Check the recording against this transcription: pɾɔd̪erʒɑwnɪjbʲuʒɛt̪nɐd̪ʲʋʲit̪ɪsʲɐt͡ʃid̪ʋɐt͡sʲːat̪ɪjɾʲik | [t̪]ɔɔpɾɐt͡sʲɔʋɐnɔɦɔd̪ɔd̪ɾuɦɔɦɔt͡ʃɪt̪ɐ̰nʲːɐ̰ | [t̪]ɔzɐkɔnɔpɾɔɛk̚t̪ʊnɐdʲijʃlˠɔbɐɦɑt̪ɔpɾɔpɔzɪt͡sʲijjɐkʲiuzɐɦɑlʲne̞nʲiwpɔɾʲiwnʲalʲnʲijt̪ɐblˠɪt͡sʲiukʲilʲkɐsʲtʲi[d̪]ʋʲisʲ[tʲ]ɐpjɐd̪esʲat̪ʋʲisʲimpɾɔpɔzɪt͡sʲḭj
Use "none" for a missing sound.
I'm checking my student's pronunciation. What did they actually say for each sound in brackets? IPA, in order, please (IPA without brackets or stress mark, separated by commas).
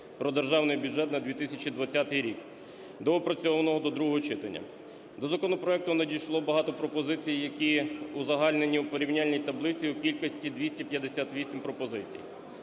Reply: d̪, d̪, d̪, tʲ